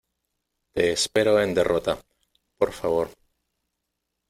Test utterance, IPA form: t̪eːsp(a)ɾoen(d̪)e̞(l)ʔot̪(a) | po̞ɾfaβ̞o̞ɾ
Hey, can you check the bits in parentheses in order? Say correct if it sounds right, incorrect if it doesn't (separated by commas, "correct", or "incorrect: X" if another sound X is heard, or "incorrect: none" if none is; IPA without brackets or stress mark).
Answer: incorrect: e, correct, incorrect: r, correct